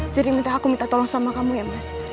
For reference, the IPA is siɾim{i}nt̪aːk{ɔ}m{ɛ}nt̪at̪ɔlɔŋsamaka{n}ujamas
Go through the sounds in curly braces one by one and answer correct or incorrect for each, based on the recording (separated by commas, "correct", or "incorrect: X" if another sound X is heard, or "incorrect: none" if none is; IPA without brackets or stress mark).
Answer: correct, incorrect: u, incorrect: i, incorrect: m